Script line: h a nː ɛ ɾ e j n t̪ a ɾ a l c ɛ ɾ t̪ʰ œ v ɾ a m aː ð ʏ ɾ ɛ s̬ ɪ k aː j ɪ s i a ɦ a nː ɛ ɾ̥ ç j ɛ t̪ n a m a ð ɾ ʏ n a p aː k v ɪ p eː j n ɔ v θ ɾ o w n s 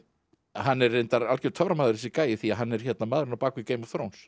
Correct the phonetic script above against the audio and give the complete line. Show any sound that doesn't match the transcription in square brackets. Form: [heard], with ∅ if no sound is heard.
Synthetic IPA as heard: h a nː ɛ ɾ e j n t̪ a ɾ a l c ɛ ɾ t̪ʰ œ v ɾ a m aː ð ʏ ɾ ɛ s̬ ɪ k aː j ɪ [θ] i a ɦ a nː ɛ ɾ̥ ç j ɛ t̪ n a m a ð ɾ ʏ n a p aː k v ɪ [c] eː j [m] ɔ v θ ɾ o w n s